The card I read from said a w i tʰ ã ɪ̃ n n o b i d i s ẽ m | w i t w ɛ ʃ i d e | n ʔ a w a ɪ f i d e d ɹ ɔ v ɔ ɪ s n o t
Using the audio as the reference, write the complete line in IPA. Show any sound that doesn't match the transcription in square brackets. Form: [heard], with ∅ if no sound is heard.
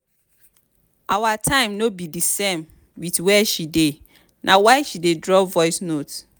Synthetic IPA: a w [a] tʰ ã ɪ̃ [m] n o b i d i s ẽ m | w i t w ɛ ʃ i d e | n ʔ a w a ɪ [ʃ] i d e d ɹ ɔ v ɔ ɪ s n o t